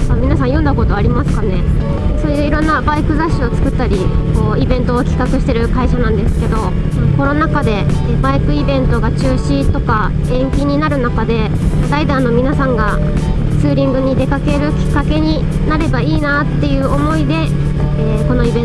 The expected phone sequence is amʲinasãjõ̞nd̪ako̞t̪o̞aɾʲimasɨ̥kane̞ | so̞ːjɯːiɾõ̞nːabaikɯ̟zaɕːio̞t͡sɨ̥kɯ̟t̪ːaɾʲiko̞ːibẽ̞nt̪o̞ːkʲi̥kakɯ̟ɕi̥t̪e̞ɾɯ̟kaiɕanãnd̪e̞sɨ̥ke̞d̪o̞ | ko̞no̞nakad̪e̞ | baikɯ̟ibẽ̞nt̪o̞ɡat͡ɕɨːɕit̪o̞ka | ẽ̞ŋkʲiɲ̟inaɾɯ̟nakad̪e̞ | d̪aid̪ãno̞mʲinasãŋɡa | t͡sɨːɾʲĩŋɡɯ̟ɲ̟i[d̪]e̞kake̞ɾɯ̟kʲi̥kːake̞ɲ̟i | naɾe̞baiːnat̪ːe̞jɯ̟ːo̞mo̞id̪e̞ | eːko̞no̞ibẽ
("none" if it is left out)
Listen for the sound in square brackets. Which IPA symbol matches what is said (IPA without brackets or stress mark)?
d̪